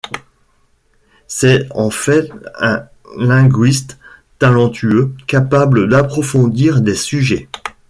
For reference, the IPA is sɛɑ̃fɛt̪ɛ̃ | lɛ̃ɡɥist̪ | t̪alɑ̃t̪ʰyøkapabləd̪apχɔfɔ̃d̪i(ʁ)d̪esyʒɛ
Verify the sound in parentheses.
correct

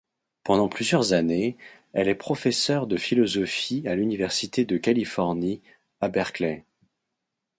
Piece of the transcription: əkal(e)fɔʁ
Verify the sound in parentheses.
incorrect: i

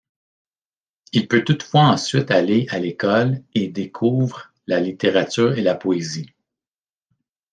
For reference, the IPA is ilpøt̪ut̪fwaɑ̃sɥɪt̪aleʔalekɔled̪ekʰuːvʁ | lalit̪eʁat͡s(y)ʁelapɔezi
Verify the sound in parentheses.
incorrect: yː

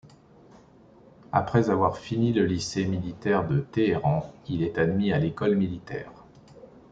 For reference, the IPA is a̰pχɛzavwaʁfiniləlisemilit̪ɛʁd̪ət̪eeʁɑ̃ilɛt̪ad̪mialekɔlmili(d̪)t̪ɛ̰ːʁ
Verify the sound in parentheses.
incorrect: none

